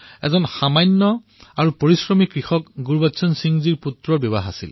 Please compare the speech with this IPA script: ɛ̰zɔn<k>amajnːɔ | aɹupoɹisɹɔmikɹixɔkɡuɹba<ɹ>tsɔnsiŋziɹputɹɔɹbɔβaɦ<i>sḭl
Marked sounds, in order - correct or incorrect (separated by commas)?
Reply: incorrect, incorrect, incorrect